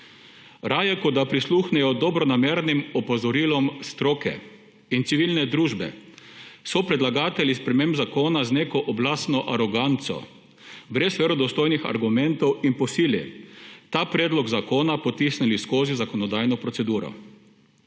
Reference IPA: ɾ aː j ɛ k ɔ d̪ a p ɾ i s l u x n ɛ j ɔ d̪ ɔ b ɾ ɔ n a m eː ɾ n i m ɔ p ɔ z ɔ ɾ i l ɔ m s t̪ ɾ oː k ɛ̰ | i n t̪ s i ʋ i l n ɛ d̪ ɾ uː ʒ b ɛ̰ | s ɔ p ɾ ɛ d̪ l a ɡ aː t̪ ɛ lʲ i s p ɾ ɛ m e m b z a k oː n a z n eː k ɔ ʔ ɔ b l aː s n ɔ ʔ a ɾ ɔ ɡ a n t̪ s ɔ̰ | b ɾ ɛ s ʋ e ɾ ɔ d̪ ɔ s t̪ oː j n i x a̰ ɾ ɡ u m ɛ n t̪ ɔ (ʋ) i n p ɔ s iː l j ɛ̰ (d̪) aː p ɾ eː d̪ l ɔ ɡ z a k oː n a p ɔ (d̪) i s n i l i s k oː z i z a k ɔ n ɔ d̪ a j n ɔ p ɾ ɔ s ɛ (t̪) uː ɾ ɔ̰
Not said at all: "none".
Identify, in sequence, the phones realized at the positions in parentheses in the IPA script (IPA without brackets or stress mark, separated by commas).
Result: w, t̪, t̪, d̪